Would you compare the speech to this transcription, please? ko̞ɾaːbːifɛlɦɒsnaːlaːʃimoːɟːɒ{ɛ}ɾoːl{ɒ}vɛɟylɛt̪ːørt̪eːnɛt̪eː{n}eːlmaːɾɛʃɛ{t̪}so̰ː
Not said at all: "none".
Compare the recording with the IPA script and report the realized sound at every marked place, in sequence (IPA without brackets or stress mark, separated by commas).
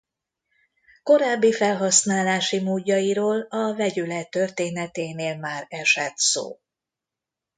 i, ɒ, n, t̪